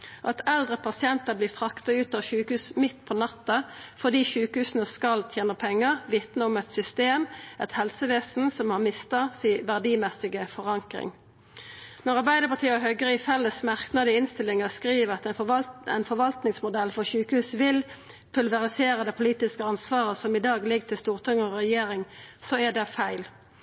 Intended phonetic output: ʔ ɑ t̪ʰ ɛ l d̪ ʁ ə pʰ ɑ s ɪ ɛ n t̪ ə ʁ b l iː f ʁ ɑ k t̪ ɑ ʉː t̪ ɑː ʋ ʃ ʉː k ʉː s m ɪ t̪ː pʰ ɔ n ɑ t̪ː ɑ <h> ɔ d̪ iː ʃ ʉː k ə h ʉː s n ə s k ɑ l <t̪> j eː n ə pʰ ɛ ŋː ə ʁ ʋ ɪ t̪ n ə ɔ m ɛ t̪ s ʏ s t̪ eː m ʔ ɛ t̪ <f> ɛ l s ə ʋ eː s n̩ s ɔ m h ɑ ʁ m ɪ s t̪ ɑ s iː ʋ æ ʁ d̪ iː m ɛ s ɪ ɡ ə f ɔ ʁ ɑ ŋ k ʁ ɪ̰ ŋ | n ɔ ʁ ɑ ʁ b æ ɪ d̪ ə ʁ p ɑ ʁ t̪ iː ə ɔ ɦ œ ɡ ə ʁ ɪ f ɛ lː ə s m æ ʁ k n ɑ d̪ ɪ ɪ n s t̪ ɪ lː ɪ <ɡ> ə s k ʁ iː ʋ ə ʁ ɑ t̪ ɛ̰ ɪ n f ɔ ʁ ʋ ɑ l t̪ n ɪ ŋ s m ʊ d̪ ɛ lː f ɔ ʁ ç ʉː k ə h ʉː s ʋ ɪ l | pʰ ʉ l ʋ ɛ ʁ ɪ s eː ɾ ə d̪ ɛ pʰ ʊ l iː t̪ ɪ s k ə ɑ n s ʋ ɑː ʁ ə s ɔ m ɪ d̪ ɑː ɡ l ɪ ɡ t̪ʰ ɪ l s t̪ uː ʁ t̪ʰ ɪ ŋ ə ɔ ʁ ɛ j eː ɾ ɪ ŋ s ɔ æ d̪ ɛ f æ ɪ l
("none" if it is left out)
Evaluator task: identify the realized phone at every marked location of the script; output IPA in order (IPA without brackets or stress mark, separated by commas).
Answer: f, t̪ʰ, h, ŋ